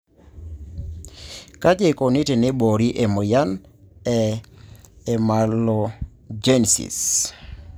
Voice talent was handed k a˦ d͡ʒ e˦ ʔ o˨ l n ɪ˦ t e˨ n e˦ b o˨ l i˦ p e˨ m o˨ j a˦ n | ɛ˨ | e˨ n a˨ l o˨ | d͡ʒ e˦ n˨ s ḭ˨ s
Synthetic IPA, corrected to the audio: k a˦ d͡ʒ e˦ k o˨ n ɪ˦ t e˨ n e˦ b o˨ ɾ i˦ ʔ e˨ m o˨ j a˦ n | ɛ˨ | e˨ m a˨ l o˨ | d͡ʒ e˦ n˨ s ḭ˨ s